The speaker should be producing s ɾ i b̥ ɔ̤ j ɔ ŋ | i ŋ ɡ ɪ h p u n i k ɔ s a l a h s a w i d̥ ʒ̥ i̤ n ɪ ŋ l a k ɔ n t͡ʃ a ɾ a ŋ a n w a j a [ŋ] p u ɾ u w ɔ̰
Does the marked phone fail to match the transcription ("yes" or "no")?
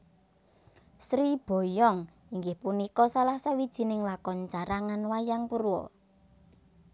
no